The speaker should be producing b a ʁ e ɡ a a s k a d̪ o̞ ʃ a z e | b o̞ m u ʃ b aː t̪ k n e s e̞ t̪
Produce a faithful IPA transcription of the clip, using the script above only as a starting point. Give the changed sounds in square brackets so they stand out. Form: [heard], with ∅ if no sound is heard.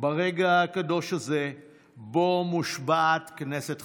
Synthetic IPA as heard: b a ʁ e ɡ a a [∅] k a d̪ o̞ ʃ a z e | b o̞ m u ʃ b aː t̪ k n e s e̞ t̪